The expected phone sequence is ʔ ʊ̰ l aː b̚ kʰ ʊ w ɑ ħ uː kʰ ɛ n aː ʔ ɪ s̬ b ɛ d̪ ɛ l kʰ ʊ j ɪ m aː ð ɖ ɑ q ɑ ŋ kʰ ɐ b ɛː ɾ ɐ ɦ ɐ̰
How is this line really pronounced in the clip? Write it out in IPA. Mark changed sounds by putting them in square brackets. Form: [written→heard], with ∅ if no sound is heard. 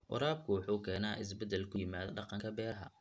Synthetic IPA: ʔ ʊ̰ [l→ɾ] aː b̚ kʰ ʊ w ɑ ħ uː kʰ [ɛ→ɛː] n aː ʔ ɪ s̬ b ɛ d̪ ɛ l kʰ ʊ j ɪ m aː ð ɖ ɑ q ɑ ŋ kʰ ɐ b ɛː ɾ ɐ ɦ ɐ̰